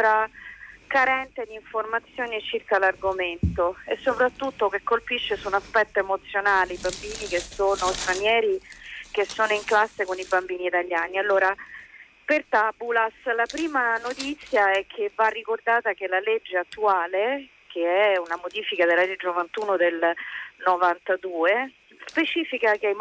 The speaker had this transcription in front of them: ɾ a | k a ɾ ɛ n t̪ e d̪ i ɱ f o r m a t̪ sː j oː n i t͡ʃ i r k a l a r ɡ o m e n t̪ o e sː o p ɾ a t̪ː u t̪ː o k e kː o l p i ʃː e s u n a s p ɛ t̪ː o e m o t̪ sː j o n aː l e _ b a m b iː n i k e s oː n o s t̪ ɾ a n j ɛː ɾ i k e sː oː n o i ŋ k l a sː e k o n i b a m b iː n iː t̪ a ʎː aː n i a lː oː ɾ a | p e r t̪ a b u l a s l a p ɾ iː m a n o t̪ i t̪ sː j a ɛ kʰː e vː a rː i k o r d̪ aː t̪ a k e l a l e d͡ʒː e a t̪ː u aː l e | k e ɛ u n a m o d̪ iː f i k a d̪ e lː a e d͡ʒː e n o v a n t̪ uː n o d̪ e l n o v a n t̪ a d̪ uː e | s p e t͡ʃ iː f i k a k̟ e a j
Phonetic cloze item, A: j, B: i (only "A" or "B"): B